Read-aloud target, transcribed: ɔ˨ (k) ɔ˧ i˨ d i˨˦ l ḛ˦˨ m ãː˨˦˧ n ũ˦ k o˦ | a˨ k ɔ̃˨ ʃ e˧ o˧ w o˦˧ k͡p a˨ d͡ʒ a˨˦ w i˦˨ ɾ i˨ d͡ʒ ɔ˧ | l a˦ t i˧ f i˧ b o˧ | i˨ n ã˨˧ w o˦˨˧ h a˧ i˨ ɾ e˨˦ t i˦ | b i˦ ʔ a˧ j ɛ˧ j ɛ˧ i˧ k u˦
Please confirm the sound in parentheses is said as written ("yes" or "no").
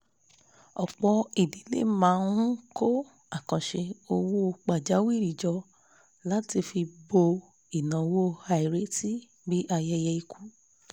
no